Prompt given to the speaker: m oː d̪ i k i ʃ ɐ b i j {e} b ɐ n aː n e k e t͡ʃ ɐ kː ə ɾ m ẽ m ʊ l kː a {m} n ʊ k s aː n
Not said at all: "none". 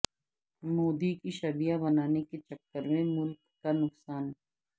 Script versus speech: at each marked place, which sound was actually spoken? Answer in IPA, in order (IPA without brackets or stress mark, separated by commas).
a, none